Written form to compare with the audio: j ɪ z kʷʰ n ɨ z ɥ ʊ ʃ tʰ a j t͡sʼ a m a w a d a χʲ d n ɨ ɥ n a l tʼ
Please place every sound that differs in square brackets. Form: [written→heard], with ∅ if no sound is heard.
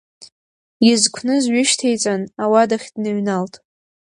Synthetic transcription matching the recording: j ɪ z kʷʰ n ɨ z ɥ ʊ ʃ tʰ [a→e] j t͡sʼ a [m→n] a w a d a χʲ d n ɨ ɥ n a l tʼ